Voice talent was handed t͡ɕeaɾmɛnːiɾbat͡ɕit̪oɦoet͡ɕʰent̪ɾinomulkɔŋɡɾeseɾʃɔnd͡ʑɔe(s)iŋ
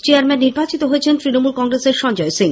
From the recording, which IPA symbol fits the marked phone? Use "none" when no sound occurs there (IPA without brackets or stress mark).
s